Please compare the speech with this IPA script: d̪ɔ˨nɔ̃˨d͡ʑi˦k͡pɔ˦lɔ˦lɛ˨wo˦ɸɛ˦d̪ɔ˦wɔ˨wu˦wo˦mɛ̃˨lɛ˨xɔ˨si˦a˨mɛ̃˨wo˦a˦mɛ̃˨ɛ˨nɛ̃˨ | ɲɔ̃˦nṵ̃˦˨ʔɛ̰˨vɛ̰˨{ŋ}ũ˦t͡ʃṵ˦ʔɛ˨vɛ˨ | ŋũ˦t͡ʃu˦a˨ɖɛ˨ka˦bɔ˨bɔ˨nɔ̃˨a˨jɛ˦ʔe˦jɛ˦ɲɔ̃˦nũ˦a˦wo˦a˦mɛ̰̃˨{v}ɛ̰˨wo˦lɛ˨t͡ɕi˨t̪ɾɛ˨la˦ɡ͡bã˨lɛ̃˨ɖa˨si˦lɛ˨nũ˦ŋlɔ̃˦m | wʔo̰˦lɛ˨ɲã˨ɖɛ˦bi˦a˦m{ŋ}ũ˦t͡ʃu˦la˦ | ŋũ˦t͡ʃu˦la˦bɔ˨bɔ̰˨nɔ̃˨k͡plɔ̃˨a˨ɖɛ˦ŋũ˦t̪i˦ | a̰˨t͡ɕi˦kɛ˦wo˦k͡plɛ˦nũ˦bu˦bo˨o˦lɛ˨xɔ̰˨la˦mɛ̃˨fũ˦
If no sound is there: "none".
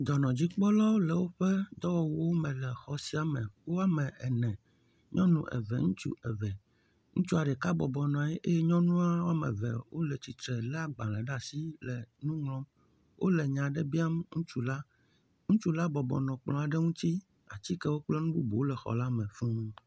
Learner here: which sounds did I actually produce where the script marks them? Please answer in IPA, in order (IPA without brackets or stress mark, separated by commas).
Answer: ŋ, v, ŋ